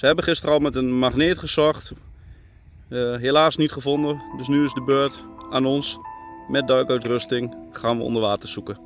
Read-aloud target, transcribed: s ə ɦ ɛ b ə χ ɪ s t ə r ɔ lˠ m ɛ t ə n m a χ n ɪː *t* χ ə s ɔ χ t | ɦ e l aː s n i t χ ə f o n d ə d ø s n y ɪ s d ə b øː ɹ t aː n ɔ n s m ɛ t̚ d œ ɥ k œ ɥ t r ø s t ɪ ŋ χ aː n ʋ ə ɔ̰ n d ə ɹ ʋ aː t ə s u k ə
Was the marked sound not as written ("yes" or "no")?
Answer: no